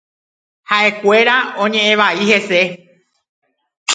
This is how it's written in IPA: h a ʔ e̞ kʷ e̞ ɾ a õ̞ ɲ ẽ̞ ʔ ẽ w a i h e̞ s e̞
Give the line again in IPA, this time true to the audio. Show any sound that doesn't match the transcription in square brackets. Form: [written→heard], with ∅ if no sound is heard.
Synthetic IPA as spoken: h a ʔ e̞ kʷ e̞ ɾ a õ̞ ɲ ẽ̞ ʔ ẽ [w→ʋ] a i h e̞ s e̞